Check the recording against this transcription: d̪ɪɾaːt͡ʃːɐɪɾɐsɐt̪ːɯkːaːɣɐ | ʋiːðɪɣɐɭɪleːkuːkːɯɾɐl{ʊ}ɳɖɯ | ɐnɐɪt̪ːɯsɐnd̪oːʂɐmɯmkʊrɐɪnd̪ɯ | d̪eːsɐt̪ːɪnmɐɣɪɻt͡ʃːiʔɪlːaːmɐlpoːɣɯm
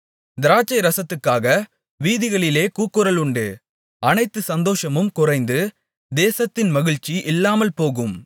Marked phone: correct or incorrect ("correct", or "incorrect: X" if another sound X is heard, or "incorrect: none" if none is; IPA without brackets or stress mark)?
correct